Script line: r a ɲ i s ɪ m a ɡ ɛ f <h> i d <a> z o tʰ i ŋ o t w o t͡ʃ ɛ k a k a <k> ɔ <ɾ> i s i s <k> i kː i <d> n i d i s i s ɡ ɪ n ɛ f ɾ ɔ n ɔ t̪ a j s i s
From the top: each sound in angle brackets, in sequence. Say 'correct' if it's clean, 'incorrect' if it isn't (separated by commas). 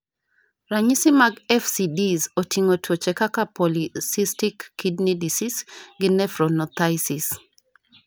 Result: incorrect, incorrect, incorrect, incorrect, incorrect, correct